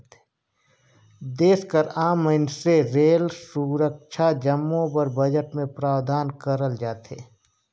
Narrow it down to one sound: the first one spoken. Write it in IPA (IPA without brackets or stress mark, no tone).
d̪